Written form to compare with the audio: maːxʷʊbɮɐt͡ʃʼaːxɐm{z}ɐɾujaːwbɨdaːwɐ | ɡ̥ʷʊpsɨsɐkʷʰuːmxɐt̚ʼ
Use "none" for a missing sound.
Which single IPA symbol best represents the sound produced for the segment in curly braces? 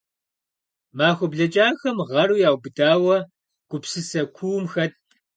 ʁ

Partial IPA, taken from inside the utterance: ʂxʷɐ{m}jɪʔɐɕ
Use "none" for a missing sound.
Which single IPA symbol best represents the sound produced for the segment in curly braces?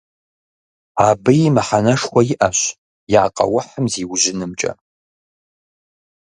none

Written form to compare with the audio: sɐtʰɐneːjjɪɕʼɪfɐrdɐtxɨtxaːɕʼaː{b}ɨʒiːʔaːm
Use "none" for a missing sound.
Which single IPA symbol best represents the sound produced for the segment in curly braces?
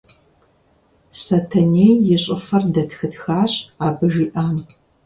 b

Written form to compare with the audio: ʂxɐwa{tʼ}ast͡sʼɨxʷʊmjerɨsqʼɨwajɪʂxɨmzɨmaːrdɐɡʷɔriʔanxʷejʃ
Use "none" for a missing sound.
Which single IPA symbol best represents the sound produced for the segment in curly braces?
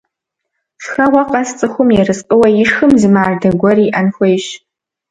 qʼ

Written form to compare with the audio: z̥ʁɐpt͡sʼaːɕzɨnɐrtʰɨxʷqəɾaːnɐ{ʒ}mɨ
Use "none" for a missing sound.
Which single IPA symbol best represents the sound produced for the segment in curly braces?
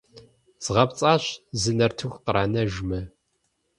ʒ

